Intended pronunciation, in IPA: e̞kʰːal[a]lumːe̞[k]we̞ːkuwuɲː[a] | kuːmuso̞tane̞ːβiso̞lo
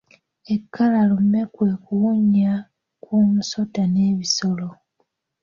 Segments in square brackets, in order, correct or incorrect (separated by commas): correct, correct, correct